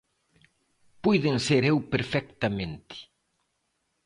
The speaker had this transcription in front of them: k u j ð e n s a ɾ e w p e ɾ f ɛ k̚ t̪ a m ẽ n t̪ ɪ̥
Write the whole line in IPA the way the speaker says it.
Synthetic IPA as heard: p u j ð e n s e ɾ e w p e ɾ f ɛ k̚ t̪ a m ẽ n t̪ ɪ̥

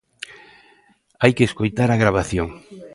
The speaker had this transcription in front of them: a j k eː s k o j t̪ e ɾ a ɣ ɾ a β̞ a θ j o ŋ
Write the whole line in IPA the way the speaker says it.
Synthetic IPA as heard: a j k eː s k o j t̪ a ɾ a ɣ ɾ a β̞ a θ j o ŋ

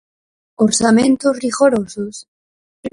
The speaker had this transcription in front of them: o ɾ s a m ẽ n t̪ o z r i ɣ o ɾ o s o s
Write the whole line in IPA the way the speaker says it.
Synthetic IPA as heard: o ɾ s a m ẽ n t̪ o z r i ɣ o ɾ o s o s

